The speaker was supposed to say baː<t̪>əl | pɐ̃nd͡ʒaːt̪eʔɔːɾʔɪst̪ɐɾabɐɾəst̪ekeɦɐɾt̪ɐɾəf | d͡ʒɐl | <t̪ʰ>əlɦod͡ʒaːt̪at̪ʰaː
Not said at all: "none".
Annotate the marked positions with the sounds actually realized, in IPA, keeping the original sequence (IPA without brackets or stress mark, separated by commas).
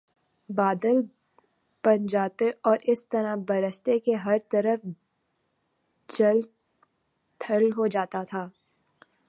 d̪, t̪ʰ